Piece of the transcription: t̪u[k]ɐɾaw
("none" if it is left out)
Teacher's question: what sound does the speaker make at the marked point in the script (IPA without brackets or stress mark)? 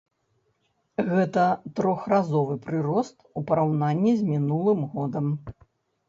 p